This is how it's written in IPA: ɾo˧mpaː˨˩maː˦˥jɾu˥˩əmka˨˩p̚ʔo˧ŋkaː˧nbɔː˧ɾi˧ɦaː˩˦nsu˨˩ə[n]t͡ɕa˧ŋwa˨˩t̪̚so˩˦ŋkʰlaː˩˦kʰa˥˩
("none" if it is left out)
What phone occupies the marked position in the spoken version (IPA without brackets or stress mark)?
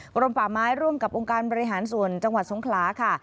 n